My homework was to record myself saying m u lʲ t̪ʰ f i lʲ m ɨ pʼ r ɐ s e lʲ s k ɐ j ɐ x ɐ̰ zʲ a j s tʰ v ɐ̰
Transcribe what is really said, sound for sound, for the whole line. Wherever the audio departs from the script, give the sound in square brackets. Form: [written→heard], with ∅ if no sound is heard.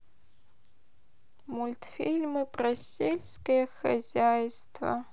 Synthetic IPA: m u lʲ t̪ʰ f i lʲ m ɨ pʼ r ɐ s e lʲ s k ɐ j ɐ x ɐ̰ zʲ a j s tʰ v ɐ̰